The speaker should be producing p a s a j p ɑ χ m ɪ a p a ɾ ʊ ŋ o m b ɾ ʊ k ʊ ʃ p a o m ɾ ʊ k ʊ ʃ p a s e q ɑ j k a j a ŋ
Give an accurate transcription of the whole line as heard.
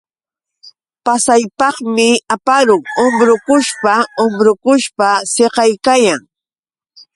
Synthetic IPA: p a s a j p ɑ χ m ɪ a p a ɾ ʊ ŋ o m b ɾ ʊ k ʊ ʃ p a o m ɾ ʊ k ʊ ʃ p a s e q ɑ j k a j a ŋ